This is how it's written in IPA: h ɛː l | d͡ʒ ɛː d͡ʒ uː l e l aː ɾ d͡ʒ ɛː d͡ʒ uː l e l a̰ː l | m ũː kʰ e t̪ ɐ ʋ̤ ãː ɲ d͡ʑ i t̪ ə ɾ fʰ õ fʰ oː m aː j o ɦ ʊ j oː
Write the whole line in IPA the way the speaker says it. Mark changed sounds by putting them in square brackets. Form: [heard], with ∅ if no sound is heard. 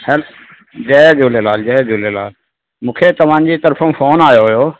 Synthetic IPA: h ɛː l | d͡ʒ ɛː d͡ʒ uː l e l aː [l] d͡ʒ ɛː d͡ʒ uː l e l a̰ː l | m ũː kʰ e t̪ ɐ ʋ̤ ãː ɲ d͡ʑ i t̪ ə ɾ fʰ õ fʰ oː [n] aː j o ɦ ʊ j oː